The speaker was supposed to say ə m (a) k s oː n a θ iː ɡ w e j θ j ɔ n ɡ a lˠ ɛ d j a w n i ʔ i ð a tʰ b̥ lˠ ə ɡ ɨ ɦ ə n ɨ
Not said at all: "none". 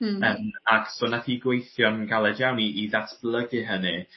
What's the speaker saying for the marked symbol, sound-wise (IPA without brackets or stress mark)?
a